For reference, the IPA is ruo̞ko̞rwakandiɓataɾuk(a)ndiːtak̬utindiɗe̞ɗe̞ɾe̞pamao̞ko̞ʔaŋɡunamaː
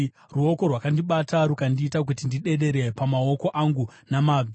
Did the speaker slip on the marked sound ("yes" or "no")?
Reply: no